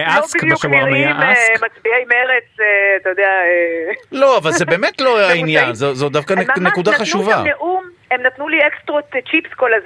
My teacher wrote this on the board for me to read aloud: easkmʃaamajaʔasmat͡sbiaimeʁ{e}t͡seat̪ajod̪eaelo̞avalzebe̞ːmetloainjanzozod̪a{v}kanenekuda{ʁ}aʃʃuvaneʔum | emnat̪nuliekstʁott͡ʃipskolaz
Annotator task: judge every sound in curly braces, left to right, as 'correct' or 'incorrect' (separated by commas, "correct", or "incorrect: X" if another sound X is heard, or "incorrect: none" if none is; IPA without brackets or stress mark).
correct, incorrect: f, incorrect: χ